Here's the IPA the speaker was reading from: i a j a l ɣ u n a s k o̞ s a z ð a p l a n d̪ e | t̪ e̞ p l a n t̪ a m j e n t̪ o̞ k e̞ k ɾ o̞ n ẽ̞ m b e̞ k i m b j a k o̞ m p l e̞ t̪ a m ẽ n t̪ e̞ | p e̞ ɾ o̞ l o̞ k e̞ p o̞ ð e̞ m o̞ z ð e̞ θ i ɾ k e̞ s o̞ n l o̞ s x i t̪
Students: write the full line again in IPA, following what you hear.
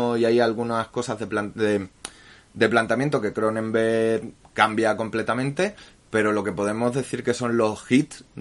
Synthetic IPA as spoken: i a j a l ɣ u n a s k o̞ s a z ð e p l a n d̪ e | d̪ e̞ p l a n t̪ a m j e n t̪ o̞ k e̞ k ɾ o̞ n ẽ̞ m b e̞ k a m b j a k o̞ m p l e̞ t̪ a m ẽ n t̪ e̞ | p e̞ ɾ o̞ l o̞ k e̞ p o̞ ð e̞ m o̞ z ð e̞ θ i ɾ k e̞ s o̞ n l o̞ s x i t̪